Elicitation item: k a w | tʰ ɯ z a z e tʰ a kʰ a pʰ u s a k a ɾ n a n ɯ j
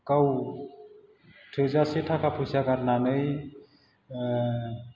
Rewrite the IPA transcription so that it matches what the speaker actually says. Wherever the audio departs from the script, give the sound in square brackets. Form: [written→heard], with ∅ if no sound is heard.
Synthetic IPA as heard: k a w | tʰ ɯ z a [z→s] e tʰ a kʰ a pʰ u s a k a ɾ n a n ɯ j